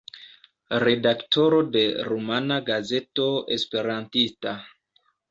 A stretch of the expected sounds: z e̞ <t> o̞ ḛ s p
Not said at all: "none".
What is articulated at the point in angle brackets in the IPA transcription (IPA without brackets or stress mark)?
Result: t